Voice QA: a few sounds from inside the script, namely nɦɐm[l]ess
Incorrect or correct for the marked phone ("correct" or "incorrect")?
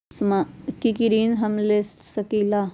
correct